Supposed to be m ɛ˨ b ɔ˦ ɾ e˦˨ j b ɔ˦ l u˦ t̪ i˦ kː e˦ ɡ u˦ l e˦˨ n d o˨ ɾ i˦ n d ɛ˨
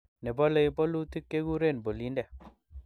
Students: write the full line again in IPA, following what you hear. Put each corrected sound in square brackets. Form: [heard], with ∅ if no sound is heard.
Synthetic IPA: [n] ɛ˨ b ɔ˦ [l] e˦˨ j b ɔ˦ l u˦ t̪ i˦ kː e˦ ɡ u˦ [ɾ] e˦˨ n [b] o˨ [l] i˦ n d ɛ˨